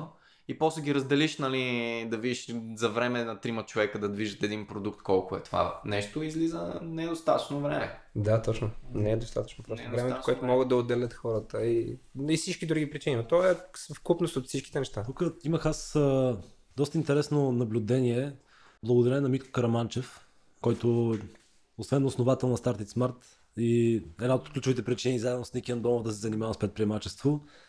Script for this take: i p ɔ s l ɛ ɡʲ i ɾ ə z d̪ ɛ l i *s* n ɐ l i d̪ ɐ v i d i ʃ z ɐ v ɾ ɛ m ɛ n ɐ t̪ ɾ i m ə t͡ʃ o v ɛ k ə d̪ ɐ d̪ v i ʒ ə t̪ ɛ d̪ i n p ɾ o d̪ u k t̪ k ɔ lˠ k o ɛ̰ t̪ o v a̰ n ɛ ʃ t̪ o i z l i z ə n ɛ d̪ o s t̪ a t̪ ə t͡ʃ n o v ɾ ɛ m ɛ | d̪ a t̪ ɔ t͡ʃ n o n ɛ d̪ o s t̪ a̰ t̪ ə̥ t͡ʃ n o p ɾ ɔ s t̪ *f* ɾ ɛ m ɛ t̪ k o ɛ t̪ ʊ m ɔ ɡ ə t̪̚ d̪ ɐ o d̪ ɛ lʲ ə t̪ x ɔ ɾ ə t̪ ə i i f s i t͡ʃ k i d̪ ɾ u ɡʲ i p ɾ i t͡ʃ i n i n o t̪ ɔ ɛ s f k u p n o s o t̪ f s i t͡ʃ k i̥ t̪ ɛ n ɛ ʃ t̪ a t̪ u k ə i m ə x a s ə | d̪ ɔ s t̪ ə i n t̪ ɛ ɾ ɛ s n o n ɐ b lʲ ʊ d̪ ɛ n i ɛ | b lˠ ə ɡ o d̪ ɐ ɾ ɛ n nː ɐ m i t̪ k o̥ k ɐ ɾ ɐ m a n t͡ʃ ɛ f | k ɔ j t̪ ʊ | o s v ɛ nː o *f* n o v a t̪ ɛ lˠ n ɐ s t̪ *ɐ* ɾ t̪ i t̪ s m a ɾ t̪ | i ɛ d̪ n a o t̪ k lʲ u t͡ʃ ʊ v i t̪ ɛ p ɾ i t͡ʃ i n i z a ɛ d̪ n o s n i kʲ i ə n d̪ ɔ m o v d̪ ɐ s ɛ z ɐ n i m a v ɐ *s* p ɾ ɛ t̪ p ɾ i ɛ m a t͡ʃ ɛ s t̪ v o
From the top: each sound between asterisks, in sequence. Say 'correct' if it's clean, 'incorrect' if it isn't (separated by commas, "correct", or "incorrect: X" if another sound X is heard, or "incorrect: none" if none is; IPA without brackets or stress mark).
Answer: incorrect: ʃ, incorrect: v, incorrect: s, incorrect: a, correct